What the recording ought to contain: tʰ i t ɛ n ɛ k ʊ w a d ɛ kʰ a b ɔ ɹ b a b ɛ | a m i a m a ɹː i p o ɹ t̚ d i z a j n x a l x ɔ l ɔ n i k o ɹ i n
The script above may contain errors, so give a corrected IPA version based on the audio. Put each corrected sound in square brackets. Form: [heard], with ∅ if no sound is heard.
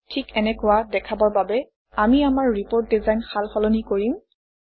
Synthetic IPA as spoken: tʰ i [k] ɛ n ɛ k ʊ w a d ɛ kʰ a b ɔ ɹ b a b ɛ | a m i a m a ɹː i p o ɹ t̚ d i z a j n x a l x ɔ l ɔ n i k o ɹ i [m]